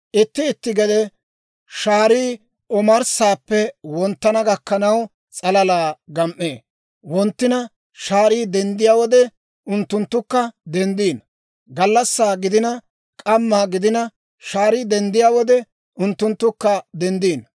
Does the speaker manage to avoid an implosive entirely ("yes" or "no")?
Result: yes